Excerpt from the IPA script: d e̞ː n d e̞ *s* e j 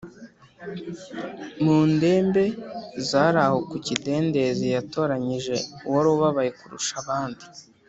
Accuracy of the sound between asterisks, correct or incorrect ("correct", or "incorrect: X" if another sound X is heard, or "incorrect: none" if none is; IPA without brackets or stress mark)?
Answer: incorrect: z